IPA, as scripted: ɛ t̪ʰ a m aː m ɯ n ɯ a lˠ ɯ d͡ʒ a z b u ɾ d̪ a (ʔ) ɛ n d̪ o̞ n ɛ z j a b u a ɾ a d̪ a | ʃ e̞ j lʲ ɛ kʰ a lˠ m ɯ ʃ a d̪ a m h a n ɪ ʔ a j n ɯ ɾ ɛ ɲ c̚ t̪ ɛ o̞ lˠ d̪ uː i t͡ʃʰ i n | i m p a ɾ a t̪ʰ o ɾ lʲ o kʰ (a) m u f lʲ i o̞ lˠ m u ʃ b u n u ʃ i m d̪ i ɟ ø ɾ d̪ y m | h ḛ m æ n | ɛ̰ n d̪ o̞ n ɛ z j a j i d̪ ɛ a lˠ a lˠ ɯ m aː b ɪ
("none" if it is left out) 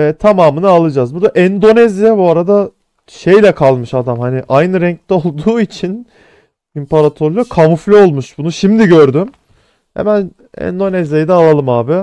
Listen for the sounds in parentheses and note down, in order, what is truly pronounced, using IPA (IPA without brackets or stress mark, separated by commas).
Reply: ʔ, a